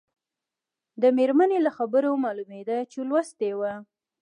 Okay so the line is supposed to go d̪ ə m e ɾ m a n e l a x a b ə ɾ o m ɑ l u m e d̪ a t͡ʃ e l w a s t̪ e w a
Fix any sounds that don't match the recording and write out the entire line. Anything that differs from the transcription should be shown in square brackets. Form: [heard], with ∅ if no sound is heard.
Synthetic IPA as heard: d̪ ə m e ɾ m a n e l a x a b ə ɾ o m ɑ l u m e d̪ a t͡ʃ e l w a s t̪ e w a